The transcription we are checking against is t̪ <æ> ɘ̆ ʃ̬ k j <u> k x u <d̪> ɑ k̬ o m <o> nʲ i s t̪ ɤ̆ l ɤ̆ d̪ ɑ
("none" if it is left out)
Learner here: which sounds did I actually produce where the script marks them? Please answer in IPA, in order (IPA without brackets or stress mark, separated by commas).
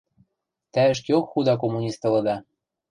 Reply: æ, o, d̪, u